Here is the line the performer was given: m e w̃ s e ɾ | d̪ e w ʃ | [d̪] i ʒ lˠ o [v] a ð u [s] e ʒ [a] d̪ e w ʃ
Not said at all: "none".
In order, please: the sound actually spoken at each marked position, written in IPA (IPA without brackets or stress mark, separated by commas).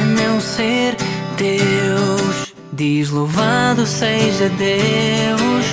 d̪, v, s, ɐ